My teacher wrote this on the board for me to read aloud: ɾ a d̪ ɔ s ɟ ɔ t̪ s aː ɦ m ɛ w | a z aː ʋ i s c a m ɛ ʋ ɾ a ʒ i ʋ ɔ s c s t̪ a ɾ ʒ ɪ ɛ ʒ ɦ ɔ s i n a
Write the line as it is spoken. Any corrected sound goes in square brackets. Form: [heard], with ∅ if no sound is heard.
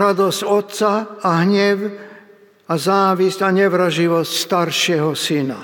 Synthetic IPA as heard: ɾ a d̪ ɔ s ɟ ɔ t̪ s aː ɦ [ɲ] ɛ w | a z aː ʋ i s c a [ɲ] ɛ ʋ ɾ a ʒ i ʋ ɔ s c s t̪ a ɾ [ʃ] ɪ ɛ [∅] ɦ ɔ s i n a